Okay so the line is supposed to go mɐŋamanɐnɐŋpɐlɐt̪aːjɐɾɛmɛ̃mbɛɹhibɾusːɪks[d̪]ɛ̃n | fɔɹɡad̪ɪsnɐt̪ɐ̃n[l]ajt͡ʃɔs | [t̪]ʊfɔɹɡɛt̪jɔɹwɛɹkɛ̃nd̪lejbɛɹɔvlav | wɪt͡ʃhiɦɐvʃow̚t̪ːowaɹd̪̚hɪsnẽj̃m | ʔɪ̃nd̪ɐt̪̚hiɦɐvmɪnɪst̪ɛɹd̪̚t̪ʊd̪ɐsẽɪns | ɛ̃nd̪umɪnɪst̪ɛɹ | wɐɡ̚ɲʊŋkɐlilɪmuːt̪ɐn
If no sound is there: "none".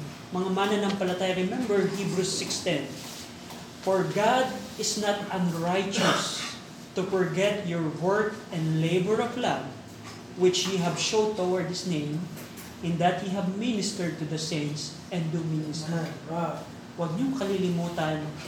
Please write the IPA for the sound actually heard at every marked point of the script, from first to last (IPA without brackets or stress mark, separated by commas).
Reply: t̪, ɹ, t̪